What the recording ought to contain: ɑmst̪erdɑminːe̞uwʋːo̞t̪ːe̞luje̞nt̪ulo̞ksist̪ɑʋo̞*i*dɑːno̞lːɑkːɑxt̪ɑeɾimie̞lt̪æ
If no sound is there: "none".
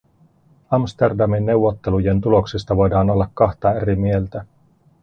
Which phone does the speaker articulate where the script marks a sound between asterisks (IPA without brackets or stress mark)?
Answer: j